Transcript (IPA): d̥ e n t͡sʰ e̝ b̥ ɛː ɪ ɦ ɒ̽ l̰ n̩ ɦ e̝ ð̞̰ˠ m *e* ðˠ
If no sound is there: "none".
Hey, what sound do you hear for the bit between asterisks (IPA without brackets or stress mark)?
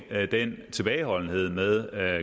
e